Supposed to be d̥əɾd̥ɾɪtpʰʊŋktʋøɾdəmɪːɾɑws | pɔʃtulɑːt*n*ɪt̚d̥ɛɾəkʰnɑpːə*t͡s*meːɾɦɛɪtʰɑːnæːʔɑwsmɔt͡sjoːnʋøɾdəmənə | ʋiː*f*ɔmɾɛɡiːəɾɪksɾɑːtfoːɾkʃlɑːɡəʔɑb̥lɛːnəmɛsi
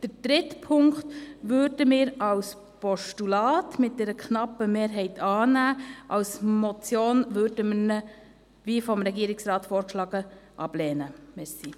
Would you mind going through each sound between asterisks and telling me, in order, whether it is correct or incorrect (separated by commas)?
incorrect, incorrect, correct